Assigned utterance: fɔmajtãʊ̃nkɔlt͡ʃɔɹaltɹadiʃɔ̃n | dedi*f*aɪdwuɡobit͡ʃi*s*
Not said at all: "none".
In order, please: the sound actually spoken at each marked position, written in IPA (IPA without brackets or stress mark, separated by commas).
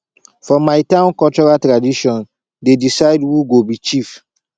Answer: s, f